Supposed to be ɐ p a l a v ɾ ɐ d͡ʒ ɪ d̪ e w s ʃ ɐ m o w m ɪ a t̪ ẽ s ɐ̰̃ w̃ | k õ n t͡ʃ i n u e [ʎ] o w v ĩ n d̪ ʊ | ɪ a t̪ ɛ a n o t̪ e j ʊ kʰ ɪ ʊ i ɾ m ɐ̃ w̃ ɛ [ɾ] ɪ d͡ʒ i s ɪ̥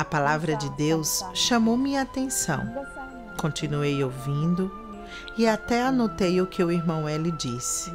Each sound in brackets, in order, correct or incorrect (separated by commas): incorrect, incorrect